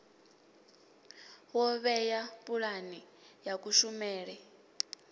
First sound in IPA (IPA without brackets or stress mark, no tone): w